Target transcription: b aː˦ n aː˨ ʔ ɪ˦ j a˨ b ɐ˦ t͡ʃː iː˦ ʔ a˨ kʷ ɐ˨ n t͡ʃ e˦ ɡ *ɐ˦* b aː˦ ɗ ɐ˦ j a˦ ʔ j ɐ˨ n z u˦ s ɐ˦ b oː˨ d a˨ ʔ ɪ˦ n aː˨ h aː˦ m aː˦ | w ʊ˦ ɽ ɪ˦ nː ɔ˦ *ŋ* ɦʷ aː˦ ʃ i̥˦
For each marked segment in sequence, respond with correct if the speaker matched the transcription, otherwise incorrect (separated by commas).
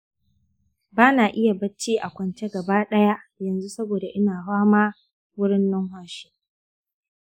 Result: incorrect, correct